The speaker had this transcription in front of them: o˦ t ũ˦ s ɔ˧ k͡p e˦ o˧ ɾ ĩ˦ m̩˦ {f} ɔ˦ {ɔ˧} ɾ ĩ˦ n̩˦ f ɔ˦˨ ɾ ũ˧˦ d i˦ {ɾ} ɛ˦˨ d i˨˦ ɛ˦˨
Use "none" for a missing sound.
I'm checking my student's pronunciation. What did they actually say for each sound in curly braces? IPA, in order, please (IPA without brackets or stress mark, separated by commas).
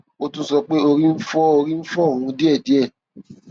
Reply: f, o˧, none